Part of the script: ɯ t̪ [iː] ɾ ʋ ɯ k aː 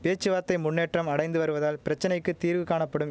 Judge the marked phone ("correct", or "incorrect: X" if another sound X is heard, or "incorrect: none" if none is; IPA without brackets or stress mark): correct